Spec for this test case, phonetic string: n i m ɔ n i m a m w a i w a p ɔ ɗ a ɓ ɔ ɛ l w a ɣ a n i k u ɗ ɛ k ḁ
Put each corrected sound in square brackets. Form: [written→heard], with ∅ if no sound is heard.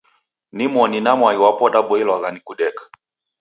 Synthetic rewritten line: n i m ɔ n i [m→n] a m w a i w a p ɔ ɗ a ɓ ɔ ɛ l w a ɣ a n i k u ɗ ɛ k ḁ